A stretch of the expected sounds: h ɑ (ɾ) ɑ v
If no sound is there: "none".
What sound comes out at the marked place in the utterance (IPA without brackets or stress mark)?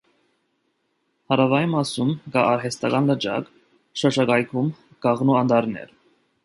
ɾ